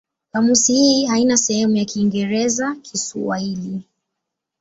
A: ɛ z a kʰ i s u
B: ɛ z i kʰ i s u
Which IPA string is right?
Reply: A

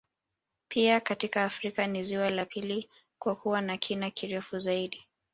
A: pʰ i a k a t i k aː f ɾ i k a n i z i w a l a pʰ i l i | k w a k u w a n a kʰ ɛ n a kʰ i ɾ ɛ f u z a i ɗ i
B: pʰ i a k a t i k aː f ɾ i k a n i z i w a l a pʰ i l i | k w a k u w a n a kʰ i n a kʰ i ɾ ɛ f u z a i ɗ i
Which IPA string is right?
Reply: B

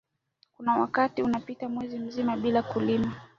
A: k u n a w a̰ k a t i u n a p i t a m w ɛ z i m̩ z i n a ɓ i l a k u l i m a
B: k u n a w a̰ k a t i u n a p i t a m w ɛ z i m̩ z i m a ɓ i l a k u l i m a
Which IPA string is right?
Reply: B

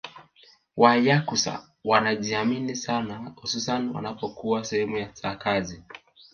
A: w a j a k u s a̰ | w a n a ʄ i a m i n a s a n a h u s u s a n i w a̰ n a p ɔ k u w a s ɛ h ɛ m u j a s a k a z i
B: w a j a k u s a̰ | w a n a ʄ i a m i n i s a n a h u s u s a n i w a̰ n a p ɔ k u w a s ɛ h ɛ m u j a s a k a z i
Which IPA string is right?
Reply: B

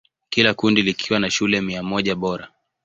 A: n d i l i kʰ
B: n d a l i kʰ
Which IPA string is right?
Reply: A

